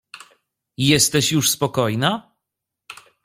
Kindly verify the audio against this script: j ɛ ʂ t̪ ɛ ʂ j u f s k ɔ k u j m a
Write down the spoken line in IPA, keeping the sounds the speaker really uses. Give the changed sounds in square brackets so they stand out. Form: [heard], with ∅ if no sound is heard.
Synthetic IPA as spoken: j ɛ [s] t̪ ɛ [ɕ] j u [ʂ] s [p] ɔ k [ɔ] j [n] a